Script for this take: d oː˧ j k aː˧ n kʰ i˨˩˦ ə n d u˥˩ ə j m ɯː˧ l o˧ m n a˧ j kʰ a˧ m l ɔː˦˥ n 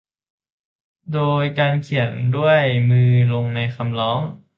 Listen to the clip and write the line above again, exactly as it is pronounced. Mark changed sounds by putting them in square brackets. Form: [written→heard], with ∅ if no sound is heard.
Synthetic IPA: d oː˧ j k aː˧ n kʰ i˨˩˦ ə n d u˥˩ ə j m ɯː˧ l o˧ [m→ŋ] n a˧ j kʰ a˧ m l ɔː˦˥ [n→ŋ]